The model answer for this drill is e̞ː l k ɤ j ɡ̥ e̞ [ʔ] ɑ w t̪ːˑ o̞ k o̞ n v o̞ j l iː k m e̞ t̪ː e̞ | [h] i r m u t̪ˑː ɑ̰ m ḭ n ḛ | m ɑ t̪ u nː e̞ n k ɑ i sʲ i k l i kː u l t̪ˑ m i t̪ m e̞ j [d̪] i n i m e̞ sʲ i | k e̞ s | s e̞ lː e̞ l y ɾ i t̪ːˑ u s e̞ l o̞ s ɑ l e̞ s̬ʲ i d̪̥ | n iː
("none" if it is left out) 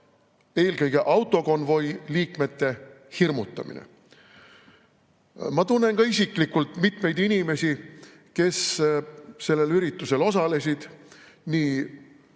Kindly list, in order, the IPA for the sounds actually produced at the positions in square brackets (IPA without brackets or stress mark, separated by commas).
ʔ, h, d̪